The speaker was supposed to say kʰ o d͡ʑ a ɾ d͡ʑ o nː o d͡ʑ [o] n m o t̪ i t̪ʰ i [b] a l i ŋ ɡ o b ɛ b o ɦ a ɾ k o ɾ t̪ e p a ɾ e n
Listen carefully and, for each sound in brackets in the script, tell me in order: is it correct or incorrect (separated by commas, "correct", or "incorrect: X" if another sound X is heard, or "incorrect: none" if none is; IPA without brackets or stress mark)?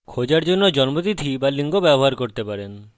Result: incorrect: ɔ, correct